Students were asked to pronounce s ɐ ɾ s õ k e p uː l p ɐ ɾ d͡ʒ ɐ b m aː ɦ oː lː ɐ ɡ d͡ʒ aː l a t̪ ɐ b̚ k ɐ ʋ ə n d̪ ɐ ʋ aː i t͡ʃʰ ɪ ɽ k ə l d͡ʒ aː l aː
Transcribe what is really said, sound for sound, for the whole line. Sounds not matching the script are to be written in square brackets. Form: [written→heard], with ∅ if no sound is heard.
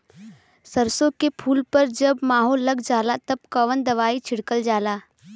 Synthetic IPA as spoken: s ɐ ɾ s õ k e [p→pʰ] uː l p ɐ ɾ d͡ʒ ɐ b m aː ɦ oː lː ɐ ɡ d͡ʒ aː l a t̪ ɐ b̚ k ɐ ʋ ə n d̪ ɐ ʋ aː i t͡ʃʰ ɪ ɽ k ə l d͡ʒ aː l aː